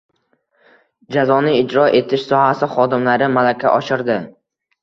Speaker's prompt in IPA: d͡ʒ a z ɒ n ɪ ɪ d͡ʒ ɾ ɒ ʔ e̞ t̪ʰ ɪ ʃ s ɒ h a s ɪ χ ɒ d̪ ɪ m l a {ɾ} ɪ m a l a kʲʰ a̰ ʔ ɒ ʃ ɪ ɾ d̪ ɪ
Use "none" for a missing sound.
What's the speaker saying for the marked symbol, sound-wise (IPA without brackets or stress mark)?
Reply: ɾ